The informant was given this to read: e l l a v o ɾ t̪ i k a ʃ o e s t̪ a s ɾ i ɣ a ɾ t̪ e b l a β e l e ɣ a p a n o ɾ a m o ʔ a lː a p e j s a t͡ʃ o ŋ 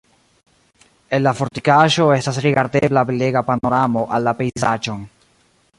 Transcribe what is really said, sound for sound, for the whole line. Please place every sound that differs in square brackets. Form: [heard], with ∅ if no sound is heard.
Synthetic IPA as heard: e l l a [f] o ɾ t̪ i k a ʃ o e s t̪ a s ɾ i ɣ a ɾ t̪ e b l a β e l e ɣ a p a n o ɾ a m o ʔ a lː a p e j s a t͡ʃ o ŋ